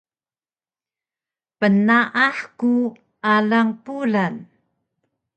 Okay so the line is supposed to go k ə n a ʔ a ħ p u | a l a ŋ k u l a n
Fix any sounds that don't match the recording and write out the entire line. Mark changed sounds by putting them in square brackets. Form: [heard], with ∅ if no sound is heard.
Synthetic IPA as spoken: [p] ə n a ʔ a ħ [k] u | a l a ŋ [p] u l a n